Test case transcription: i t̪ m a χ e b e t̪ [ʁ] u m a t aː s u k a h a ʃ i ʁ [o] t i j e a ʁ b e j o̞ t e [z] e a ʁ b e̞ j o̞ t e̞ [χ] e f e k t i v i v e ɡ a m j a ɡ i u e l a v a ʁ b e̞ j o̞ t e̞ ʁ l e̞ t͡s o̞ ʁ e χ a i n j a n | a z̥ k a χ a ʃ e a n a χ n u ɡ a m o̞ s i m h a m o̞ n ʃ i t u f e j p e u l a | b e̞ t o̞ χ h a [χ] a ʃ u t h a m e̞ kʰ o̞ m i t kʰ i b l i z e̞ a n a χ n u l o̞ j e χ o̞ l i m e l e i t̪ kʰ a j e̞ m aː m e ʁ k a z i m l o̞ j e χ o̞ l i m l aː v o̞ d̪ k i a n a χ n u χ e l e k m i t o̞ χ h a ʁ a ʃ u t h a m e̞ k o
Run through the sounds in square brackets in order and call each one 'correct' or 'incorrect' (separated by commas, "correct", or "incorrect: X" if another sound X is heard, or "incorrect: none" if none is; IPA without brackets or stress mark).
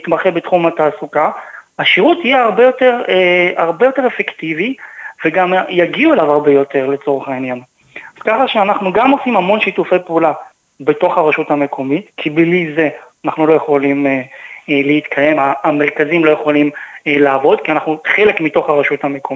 incorrect: χ, incorrect: u, incorrect: ʁ, incorrect: ʁ, incorrect: ʁ